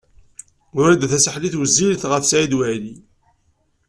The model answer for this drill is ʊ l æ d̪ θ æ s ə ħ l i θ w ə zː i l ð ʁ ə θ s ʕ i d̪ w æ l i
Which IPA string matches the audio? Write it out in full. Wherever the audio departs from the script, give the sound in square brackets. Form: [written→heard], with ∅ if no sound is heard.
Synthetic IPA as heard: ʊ [l→ɾ] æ d̪ θ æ s ə ħ l i θ w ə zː i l [ð→θ] ʁ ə θ s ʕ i d̪ w æ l i